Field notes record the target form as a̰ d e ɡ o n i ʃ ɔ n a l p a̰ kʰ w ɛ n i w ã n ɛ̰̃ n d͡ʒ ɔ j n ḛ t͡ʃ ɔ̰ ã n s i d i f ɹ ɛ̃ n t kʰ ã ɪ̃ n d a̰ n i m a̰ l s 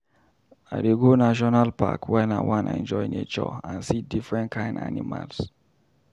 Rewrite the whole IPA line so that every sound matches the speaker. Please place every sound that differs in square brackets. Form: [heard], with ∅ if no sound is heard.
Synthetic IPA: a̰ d e ɡ o n [a] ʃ ɔ n a l p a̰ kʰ w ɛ n [a] w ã n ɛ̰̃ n d͡ʒ ɔ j n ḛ t͡ʃ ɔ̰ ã n s i d i f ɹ ɛ̃ n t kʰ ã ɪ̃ n d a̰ n i m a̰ l s